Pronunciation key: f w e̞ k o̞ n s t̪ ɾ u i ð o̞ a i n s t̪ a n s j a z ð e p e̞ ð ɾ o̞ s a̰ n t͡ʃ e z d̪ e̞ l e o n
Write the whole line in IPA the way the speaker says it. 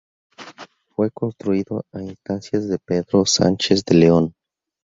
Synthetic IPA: f w e̞ k o̞ n s t̪ ɾ u i ð o̞ a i n s t̪ a n s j a z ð e p e̞ ð ɾ o̞ s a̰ n t͡ʃ e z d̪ e̞ l e o n